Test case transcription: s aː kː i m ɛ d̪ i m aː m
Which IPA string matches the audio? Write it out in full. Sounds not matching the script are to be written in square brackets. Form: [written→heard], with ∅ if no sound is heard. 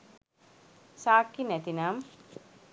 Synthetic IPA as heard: s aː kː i [m→n] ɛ [d̪→t̪] i [m→n] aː m